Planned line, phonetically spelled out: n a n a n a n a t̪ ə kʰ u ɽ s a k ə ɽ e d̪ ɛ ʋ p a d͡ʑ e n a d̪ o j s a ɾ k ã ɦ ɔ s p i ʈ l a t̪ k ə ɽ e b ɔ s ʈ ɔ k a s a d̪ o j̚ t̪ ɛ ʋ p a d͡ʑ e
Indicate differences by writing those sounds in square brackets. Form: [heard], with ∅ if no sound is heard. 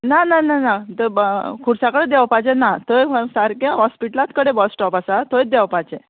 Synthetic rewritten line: n a n a n a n a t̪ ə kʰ u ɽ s a k ə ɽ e d̪ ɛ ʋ p a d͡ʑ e n a [t̪] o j s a ɾ k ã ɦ ɔ s p i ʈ l a t̪ k ə ɽ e b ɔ s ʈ ɔ [p] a s a [t̪] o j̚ [d̪] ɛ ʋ p a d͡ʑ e